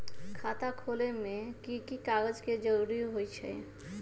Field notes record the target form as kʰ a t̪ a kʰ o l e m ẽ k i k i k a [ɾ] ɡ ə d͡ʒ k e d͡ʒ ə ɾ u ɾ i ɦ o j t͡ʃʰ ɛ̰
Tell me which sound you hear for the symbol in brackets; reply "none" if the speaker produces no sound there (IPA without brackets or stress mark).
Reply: none